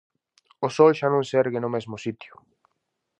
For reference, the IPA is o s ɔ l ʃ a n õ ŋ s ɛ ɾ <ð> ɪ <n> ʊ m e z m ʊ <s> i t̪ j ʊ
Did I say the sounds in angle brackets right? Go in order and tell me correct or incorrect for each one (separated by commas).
incorrect, correct, correct